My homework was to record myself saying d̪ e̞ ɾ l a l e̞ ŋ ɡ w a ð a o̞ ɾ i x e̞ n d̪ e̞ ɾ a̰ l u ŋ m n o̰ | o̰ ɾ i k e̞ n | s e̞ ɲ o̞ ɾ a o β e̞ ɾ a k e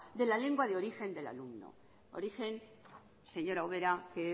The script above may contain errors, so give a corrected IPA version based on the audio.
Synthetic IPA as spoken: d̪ e̞ l a l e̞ ŋ ɡ w a ð e o̞ ɾ i x e̞ n d̪ e̞ l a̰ l u m n o̰ | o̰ ɾ i x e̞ n | s e̞ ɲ o̞ ɾ a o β e̞ ɾ a k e